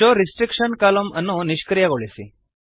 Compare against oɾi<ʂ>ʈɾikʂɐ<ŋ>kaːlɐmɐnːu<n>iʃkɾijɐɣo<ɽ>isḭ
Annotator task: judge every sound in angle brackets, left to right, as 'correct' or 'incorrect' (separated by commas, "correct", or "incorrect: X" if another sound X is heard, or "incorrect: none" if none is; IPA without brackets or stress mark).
incorrect: s, incorrect: n, correct, incorrect: ɭ